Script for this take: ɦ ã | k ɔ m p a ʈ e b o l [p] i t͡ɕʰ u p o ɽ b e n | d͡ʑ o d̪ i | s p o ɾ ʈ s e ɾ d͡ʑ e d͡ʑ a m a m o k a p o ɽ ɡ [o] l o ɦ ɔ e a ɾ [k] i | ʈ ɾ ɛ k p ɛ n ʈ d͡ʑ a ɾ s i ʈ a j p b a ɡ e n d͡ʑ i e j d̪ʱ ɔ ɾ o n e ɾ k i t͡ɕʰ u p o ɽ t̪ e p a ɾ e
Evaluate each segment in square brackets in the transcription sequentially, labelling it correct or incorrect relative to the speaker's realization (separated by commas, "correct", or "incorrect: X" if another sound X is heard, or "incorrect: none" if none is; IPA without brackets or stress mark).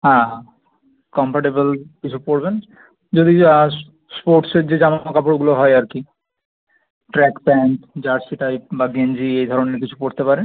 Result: incorrect: k, incorrect: u, correct